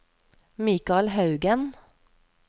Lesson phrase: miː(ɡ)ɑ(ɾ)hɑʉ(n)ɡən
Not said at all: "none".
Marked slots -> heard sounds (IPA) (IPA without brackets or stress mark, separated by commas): k, l, none